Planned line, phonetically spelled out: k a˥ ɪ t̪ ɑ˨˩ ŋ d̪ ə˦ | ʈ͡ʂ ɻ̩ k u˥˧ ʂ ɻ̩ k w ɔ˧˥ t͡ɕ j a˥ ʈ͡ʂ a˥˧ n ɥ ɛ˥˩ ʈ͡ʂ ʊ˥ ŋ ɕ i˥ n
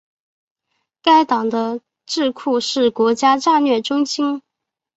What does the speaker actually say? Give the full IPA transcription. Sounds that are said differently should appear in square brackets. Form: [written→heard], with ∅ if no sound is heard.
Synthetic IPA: k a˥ ɪ t̪ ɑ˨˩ ŋ d̪ ə˦ | ʈ͡ʂ ɻ̩ [k→kʰ] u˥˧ ʂ ɻ̩ k w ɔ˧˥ t͡ɕ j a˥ ʈ͡ʂ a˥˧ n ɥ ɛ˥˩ ʈ͡ʂ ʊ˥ ŋ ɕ i˥ n